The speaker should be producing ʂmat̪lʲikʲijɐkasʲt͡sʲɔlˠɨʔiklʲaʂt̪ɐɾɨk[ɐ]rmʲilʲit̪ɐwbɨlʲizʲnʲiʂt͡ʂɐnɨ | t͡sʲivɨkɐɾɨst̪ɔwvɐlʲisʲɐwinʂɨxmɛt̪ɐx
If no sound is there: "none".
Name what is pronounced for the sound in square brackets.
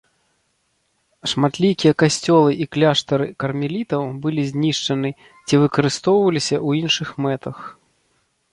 ɐ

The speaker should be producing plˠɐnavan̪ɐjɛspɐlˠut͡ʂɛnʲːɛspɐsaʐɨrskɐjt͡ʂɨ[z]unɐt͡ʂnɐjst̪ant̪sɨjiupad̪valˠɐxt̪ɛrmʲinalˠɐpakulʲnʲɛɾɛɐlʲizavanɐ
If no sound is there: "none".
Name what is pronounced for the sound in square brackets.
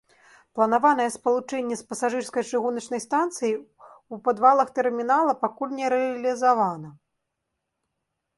ɣ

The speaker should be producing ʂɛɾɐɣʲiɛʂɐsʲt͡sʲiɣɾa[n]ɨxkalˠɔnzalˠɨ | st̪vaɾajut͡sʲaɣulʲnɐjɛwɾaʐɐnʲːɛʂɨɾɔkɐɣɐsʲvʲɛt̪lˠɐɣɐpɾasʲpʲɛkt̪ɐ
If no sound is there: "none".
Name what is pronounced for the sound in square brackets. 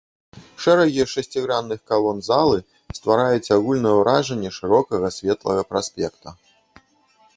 nː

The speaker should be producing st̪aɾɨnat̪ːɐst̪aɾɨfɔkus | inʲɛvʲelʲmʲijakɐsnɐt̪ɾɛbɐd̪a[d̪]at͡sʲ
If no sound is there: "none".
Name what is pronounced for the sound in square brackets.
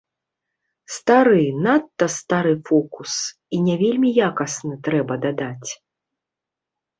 d̪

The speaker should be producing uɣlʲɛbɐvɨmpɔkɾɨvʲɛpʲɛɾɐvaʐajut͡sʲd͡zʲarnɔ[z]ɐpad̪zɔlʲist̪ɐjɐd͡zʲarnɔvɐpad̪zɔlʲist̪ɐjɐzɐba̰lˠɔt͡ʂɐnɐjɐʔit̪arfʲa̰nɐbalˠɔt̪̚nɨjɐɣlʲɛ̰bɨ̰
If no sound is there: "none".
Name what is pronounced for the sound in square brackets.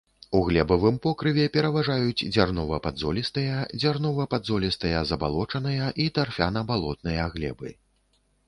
v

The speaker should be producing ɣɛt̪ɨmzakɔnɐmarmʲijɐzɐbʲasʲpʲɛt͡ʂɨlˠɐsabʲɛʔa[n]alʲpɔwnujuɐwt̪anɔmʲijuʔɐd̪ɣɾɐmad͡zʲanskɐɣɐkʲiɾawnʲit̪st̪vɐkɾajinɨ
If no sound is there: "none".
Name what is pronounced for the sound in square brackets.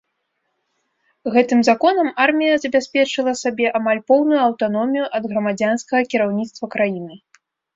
m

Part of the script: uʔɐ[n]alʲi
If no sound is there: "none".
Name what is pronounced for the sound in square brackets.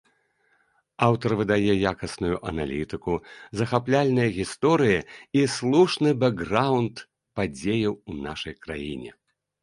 n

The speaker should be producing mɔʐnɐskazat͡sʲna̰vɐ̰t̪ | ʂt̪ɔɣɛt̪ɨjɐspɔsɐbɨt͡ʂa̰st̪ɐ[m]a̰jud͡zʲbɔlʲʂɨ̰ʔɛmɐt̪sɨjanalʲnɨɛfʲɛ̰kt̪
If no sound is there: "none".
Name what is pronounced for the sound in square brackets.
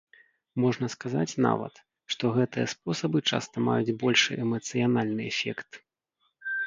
m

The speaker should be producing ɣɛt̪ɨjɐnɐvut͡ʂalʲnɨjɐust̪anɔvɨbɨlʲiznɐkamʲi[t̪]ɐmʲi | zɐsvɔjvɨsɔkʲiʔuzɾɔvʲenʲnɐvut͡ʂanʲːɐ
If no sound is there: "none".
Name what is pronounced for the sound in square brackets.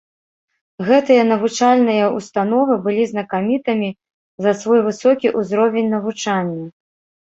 t̪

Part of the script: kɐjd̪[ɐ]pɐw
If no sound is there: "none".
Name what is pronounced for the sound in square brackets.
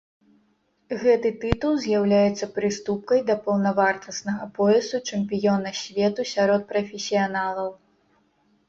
ɐ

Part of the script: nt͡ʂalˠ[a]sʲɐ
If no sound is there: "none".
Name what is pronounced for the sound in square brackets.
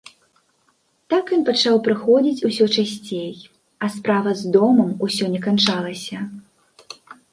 ɐ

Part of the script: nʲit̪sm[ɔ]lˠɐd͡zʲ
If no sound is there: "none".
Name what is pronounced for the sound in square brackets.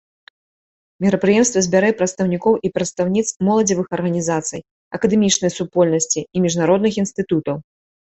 ɔ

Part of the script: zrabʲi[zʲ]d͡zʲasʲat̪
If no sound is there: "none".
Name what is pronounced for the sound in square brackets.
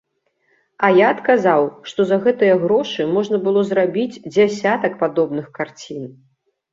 d͡zʲ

